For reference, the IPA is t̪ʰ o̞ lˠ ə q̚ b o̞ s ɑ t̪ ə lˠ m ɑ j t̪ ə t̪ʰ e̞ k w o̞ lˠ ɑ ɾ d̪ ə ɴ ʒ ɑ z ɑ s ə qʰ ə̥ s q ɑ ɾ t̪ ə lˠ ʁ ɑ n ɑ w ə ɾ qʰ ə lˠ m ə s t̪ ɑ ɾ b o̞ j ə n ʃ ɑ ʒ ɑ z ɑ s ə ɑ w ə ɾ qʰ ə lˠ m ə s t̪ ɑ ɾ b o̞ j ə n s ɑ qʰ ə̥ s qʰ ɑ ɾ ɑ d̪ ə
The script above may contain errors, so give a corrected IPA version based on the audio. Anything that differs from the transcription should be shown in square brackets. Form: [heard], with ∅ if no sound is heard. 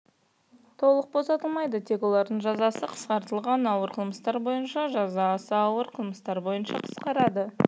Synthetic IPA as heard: t̪ʰ o̞ lˠ ə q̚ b o̞ s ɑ t̪ ə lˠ m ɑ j [d̪] ə t̪ʰ e̞ k w o̞ lˠ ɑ ɾ d̪ ə ɴ ʒ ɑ z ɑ s ə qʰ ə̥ s q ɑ ɾ t̪ ə lˠ ʁ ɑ n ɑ w ə ɾ qʰ ə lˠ m ə s t̪ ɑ ɾ b o̞ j ə n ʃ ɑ ʒ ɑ z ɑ s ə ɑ w ə ɾ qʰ ə lˠ m ə s t̪ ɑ ɾ b o̞ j ə n [ʃ] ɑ qʰ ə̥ s [q] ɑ ɾ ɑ d̪ ə

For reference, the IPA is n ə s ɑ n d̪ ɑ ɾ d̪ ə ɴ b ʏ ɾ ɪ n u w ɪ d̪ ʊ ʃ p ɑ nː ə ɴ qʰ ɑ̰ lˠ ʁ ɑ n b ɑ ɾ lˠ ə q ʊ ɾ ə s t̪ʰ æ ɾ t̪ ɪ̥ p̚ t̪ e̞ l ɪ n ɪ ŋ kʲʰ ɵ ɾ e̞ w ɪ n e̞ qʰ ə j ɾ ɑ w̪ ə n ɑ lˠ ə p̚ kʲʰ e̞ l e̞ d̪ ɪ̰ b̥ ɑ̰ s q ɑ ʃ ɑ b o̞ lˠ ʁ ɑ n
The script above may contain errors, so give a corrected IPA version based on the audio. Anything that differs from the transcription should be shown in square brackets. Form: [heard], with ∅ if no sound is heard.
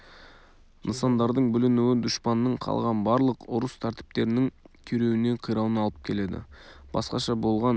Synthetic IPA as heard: n ə s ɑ n d̪ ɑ ɾ d̪ ə ɴ b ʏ [l] ɪ n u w ɪ d̪ ʊ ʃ p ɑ nː ə ɴ qʰ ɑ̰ lˠ ʁ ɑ n b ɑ ɾ lˠ ə q ʊ ɾ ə s t̪ʰ æ ɾ t̪ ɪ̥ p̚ t̪ e̞ [ɾ] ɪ n ɪ ŋ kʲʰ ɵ ɾ e̞ w ɪ n e̞ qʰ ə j ɾ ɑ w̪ ə n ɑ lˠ ə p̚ kʲʰ e̞ l e̞ d̪ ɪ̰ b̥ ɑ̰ s q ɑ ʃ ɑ b o̞ lˠ ʁ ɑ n

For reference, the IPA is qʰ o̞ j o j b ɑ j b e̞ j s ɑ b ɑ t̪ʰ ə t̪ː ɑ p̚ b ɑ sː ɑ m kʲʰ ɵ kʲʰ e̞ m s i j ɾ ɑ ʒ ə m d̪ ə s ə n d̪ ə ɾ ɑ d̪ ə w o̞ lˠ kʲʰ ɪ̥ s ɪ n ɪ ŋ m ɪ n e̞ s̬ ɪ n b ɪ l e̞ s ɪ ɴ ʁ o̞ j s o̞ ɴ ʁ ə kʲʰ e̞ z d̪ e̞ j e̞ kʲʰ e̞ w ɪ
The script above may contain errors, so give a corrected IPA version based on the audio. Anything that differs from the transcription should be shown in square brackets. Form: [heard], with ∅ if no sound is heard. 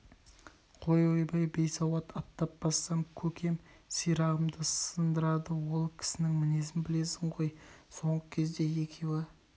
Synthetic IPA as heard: qʰ o̞ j o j b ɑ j b e̞ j s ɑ [w] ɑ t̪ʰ [ɑ] t̪ː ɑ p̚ b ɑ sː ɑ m kʲʰ ɵ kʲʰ e̞ m s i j ɾ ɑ [ʁ] ə m d̪ ə s ə n d̪ ə ɾ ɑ d̪ ə w o̞ lˠ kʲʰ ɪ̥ s ɪ n ɪ ŋ m ɪ n e̞ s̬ ɪ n b ɪ l e̞ s ɪ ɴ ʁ o̞ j s o̞ ɴ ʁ ə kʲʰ e̞ z d̪ e̞ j e̞ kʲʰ e̞ w ɪ

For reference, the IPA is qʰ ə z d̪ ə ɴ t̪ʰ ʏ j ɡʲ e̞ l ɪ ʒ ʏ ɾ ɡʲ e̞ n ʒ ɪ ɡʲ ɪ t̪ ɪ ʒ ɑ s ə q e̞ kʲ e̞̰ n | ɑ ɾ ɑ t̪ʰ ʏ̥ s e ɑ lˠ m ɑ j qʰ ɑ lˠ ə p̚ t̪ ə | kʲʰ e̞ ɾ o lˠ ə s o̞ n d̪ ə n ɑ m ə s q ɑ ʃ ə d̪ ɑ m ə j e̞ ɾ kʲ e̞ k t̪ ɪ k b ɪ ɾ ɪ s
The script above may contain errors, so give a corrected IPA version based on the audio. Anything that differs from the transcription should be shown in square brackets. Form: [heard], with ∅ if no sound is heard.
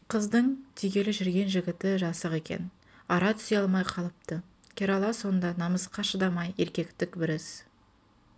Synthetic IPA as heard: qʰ ə z d̪ ə ɴ t̪ʰ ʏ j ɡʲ e̞ l ɪ ʒ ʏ ɾ ɡʲ e̞ n ʒ ɪ ɡʲ ɪ t̪ ɪ ʒ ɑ s ə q e̞ kʲ e̞̰ n | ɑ ɾ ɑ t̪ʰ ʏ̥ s e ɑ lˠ m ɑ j qʰ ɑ lˠ ə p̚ t̪ ə | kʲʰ e̞ ɾ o lˠ [ɑ] s o̞ n d̪ [ɑ] n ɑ m ə s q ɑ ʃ ə d̪ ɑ m [ɑ] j e̞ ɾ kʲ e̞ k t̪ ɪ k b ɪ ɾ ɪ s

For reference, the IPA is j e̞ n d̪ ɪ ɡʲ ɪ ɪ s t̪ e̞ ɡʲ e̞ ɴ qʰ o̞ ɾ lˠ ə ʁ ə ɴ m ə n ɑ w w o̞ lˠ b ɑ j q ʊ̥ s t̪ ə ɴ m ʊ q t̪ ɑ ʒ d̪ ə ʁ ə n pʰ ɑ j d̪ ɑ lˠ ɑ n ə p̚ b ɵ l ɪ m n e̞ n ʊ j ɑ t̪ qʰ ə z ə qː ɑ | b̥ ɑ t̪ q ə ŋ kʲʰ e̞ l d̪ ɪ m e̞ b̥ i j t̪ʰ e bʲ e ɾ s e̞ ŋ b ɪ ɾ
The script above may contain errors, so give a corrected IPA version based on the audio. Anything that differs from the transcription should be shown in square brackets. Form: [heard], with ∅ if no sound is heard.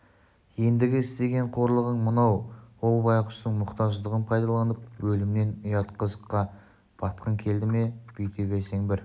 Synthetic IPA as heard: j e̞ n d̪ ɪ ɡʲ ɪ ɪ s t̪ e̞ ɡʲ e̞ ɴ qʰ o̞ ɾ lˠ ə ʁ ə ɴ m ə n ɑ w w o̞ lˠ b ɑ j q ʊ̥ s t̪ ə ɴ m ʊ q t̪ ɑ ʒ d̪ ə ʁ ə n pʰ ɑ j d̪ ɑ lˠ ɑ n ə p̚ [w] ɵ l ɪ m n e̞ n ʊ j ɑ t̪ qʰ ə z ə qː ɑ | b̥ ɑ t̪ q ə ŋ kʲʰ e̞ l d̪ ɪ m e̞ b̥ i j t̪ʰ e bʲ e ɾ s e̞ ŋ b ɪ ɾ

